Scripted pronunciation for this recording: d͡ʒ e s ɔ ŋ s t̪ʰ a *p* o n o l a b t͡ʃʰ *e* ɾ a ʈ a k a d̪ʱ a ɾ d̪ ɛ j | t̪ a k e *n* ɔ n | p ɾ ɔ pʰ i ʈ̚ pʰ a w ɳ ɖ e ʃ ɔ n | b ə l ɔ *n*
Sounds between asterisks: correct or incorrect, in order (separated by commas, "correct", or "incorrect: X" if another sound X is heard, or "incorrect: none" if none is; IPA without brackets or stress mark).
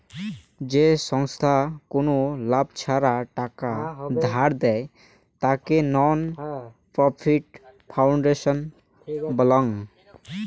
incorrect: k, incorrect: a, correct, incorrect: ŋ